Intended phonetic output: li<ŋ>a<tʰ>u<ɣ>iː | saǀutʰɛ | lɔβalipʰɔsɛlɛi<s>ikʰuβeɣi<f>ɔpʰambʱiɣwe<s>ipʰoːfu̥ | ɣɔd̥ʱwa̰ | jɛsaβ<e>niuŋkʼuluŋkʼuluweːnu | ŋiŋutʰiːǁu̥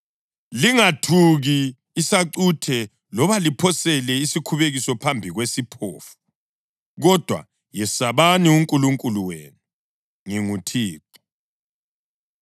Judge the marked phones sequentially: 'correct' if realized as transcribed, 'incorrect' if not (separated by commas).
correct, correct, correct, correct, incorrect, correct, incorrect